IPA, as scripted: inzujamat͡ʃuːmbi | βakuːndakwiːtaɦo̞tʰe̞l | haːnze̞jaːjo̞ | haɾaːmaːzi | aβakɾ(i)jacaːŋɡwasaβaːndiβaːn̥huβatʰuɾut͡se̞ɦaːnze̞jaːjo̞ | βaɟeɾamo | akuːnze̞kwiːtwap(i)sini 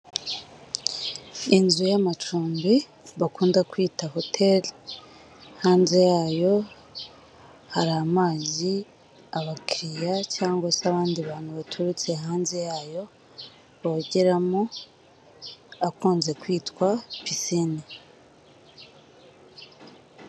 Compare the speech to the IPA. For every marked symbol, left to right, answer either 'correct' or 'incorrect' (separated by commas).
correct, correct